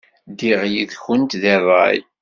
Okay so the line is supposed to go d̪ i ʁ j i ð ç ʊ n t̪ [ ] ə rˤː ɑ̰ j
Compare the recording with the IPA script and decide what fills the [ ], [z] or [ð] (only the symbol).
ð